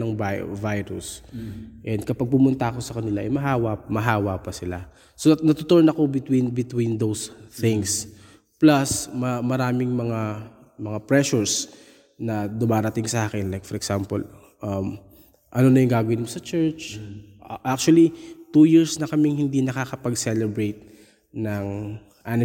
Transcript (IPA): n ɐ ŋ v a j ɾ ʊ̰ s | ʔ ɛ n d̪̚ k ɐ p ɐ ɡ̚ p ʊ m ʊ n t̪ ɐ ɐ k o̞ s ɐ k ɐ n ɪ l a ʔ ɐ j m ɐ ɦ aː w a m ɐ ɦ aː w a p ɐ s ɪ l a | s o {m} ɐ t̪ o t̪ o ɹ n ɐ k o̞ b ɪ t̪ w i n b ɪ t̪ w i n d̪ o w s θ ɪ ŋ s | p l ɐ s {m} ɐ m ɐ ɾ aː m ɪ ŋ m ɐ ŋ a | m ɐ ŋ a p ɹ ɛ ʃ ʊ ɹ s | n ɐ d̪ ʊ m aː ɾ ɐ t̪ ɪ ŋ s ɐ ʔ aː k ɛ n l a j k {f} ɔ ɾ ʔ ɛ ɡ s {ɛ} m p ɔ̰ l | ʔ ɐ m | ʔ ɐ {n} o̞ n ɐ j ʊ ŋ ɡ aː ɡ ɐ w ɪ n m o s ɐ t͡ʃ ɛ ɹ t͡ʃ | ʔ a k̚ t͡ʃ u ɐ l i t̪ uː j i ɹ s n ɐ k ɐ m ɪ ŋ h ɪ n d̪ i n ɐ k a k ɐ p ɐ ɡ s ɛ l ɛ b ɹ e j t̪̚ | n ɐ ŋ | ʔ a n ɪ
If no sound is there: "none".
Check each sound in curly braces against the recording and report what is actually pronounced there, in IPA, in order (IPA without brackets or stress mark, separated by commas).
n, m, f, a, n